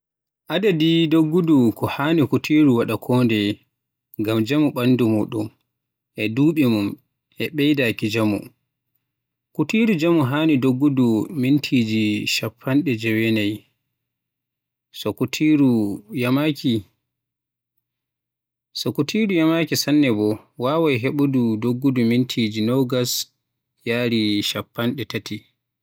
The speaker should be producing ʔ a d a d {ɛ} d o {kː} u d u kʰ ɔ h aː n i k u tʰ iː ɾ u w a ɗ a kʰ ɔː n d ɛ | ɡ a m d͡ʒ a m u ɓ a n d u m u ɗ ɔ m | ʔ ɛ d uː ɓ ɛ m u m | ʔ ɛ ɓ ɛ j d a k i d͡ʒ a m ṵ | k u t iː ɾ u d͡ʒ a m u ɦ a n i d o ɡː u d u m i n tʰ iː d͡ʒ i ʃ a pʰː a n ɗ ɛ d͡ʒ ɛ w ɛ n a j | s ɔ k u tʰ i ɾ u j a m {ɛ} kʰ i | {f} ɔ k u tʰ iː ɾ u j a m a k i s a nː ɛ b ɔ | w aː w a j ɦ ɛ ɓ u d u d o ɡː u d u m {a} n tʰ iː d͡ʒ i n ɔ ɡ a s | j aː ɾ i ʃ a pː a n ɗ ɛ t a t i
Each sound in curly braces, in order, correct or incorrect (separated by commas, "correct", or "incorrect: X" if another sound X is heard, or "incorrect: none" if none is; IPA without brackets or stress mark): incorrect: i, incorrect: ɡː, incorrect: a, incorrect: s, incorrect: i